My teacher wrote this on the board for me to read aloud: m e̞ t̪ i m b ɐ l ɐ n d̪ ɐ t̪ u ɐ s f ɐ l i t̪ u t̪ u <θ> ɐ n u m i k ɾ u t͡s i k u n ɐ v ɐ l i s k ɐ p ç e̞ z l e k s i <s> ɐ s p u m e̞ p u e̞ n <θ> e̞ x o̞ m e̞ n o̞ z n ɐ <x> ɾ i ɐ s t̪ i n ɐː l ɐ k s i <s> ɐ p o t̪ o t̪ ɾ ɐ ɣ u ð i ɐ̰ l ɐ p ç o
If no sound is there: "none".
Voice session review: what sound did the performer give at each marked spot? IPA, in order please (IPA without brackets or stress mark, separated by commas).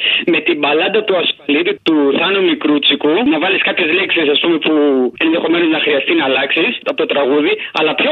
θ, s, ð, x, s